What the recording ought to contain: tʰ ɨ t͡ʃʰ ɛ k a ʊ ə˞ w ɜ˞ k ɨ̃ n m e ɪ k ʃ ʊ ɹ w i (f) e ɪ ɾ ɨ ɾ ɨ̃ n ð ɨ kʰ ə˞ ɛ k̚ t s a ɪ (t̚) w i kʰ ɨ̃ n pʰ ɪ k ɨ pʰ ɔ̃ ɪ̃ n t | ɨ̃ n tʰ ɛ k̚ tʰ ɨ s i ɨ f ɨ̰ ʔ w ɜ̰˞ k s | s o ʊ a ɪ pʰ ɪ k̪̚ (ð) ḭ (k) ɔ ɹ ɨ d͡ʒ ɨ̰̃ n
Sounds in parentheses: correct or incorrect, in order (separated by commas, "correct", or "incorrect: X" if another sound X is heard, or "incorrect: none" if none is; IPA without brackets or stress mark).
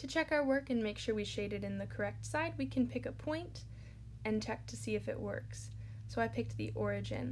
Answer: incorrect: ʃ, incorrect: d̚, correct, incorrect: ʔ